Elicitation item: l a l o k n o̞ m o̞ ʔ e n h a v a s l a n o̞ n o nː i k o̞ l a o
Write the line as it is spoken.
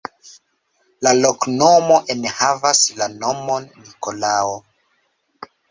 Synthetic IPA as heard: l a l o k n o̞ m o̞ ʔ e n h a v a s l a n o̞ m o nː i k o̞ l a o